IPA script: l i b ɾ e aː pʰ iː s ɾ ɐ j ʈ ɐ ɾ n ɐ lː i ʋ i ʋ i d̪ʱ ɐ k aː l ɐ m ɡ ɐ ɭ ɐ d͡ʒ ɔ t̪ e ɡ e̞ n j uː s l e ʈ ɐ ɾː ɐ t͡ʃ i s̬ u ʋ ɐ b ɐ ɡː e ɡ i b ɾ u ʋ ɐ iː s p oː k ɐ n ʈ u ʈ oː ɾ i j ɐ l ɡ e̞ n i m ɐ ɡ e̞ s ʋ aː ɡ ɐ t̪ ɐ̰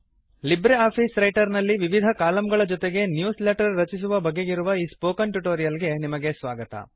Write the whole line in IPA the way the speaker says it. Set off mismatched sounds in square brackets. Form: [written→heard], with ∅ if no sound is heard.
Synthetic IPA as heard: l i b ɾ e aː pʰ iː s ɾ ɐ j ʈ ɐ ɾ n ɐ lː i ʋ i ʋ i d̪ʱ ɐ k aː l ɐ m ɡ ɐ ɭ ɐ d͡ʒ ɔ t̪ e ɡ e̞ n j uː s l e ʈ ɐ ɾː ɐ t͡ʃ i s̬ u ʋ ɐ b ɐ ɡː e ɡ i [b→∅] ɾ u ʋ ɐ iː s p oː k ɐ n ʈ u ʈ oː ɾ i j ɐ l ɡ e̞ n i m ɐ ɡ e̞ s ʋ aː ɡ ɐ t̪ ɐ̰